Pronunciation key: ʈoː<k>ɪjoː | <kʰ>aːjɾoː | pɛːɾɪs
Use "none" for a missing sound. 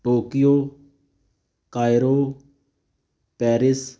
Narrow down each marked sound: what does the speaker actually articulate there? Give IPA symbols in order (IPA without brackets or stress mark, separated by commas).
k, k